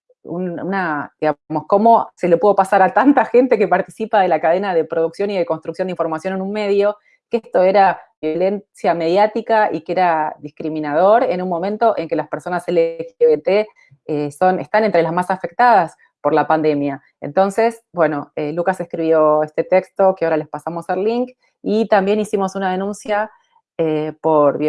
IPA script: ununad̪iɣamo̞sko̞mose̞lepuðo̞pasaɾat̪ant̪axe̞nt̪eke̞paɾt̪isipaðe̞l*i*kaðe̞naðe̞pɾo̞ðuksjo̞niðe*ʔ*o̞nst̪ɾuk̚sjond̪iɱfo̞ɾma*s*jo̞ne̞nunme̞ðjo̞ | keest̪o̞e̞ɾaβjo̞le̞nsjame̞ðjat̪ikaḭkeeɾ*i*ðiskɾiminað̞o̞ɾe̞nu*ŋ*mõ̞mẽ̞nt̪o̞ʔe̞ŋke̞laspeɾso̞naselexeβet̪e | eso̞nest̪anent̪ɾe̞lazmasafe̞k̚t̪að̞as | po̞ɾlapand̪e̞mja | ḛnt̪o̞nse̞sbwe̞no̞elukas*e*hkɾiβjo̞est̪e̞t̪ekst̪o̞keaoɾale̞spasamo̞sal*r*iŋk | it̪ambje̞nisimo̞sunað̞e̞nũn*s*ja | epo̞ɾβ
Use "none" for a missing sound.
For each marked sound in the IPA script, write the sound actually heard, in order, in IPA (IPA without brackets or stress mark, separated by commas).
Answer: a, k, s, a, n, e, l, s